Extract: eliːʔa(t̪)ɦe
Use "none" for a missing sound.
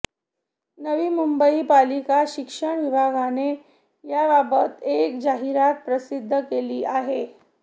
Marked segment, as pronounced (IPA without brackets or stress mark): none